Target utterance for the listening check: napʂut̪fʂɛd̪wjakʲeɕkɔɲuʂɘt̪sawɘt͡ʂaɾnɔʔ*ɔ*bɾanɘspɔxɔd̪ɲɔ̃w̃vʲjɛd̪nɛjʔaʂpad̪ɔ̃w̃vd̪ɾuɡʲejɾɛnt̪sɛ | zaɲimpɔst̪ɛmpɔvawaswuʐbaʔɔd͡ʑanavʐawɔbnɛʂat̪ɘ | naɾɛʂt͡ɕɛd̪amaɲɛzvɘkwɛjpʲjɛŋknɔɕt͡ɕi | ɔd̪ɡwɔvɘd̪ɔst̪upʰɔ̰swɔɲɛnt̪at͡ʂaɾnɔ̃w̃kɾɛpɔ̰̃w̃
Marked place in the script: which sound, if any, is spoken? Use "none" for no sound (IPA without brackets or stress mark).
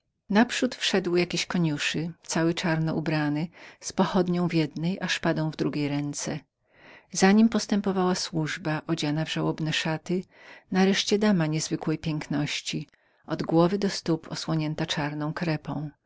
u